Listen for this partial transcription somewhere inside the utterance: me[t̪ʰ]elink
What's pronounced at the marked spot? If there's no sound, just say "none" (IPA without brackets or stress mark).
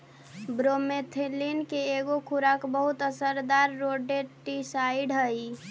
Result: t̪ʰ